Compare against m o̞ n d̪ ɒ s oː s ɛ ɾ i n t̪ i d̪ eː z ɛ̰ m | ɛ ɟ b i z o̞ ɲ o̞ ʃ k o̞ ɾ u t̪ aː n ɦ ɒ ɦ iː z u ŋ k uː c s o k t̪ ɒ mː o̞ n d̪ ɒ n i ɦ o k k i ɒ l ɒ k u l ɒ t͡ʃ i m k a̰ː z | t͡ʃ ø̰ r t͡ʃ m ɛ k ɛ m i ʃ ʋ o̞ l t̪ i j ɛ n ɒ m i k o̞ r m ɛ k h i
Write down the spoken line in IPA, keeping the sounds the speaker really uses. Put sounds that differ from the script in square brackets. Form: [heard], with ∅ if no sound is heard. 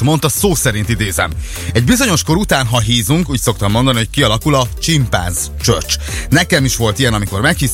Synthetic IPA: m o̞ n [t̪] ɒ s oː s ɛ ɾ i n t̪ i d̪ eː z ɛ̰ m | ɛ ɟ b i z o̞ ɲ o̞ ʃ k o̞ ɾ u t̪ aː n ɦ ɒ ɦ iː z u ŋ k uː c s o k t̪ ɒ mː o̞ n d̪ ɒ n i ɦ o [c] k i ɒ l ɒ k u l ɒ t͡ʃ i m [p] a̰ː z | t͡ʃ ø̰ r t͡ʃ [n] ɛ k ɛ m i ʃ ʋ o̞ l t̪ i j ɛ n ɒ m i k o̞ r m ɛ k h i